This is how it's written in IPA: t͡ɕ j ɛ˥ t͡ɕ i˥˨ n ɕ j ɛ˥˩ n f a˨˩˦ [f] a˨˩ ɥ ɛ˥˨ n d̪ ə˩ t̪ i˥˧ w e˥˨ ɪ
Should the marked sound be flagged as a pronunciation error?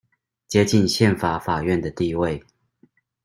no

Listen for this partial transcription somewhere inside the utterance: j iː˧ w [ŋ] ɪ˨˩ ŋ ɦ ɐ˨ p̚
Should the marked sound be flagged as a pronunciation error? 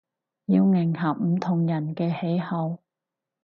no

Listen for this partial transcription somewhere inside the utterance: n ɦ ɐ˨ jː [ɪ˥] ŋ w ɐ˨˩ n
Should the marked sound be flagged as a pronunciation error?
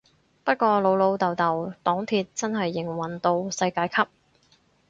yes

